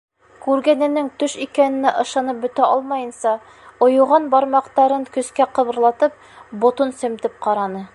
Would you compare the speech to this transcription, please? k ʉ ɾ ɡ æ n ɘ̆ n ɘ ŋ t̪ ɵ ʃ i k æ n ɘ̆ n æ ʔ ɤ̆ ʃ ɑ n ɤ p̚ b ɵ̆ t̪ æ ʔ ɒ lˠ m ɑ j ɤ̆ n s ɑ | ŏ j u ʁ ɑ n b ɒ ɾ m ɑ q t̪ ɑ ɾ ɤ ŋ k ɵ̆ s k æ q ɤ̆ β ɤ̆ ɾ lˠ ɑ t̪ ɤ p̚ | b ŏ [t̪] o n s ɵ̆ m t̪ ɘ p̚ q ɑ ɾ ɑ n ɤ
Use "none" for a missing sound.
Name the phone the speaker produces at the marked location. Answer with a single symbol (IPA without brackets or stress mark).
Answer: t̪